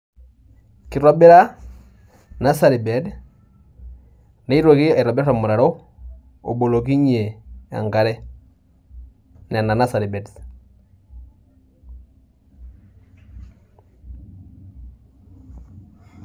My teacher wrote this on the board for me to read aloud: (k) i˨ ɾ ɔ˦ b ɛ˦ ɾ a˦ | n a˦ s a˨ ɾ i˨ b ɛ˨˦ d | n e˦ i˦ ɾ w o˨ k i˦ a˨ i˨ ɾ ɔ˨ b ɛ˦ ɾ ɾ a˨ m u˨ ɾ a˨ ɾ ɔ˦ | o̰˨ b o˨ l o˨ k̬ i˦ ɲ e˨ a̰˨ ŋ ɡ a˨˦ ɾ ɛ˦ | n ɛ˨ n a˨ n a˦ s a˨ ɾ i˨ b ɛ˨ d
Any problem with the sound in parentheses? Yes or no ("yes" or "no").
no